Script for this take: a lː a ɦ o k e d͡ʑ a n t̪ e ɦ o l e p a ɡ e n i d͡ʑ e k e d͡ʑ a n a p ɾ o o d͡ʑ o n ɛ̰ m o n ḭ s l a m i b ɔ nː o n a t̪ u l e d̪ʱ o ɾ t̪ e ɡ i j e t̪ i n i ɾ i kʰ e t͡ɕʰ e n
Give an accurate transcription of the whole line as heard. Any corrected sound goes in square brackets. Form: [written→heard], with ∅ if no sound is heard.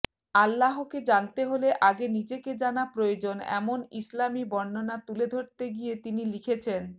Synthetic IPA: a lː a ɦ o k e d͡ʑ a n t̪ e ɦ o l e [p→ʔ] a ɡ e n i d͡ʑ e k e d͡ʑ a n a p ɾ o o d͡ʑ o n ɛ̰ m o n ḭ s l a m i b ɔ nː o n a t̪ u l e d̪ʱ o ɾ t̪ e ɡ i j e t̪ i n i [ɾ→l] i kʰ e t͡ɕʰ e n